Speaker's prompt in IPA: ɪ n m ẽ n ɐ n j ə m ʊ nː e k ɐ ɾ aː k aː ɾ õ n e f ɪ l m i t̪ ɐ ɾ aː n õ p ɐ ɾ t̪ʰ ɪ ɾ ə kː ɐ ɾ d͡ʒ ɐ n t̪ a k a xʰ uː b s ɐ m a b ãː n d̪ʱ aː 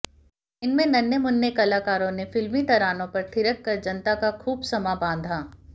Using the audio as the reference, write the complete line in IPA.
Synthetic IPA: ɪ n m ẽ n ɐ n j ə m ʊ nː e k ɐ l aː k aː ɾ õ n e f ɪ l m i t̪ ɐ ɾ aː n õ p ɐ ɾ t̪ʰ ɪ ɾ ə kː ɐ ɾ d͡ʒ ɐ n t̪ a k a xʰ uː b s ɐ m a b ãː n d̪ʱ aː